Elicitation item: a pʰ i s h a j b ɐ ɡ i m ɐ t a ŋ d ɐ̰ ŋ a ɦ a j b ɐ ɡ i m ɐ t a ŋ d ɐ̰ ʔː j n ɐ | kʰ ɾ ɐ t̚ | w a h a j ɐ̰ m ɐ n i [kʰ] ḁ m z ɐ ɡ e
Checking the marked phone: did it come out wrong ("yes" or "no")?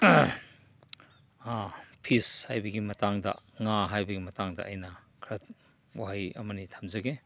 yes